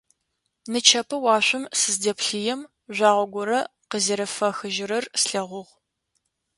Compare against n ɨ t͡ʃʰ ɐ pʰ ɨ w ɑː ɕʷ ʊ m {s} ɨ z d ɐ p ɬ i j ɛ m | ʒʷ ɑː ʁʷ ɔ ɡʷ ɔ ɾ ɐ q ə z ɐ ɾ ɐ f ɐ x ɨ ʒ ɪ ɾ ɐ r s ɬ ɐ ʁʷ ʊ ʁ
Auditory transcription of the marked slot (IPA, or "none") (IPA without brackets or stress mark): s